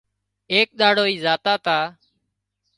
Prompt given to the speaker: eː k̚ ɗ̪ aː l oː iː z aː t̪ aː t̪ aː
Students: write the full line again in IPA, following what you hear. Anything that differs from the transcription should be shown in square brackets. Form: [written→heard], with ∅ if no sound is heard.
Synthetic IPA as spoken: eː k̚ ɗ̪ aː [l→ɽ] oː iː z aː t̪ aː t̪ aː